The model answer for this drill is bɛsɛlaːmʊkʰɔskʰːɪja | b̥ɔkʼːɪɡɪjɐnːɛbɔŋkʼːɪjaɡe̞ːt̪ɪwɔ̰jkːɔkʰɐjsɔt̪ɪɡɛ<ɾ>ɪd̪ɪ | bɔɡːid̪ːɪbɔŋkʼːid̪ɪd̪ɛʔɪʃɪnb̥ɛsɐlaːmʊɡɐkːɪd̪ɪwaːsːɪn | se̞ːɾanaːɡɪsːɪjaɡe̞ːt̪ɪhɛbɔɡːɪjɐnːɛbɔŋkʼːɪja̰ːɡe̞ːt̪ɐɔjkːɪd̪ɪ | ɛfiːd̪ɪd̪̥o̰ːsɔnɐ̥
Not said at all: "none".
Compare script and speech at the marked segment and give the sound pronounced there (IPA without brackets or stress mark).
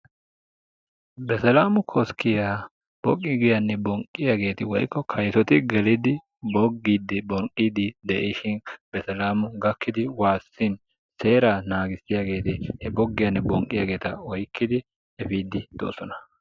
l